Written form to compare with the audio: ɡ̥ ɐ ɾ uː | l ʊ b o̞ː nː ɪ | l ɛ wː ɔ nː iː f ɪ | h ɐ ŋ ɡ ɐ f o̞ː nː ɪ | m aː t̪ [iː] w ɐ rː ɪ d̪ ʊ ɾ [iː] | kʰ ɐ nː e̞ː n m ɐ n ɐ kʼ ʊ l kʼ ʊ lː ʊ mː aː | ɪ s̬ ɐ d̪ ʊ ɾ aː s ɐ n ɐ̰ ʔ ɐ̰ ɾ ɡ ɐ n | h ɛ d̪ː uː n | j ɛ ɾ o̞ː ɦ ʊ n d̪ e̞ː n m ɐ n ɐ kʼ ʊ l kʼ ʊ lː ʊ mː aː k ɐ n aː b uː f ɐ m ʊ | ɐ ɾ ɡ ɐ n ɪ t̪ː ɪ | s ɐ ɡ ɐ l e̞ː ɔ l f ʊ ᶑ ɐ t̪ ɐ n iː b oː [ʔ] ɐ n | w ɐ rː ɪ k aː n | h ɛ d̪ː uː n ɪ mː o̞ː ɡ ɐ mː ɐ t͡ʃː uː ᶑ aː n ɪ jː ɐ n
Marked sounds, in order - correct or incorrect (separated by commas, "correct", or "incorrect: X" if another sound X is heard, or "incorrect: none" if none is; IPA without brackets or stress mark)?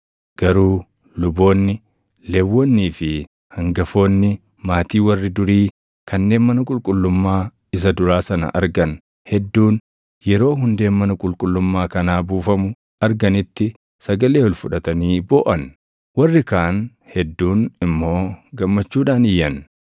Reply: correct, correct, correct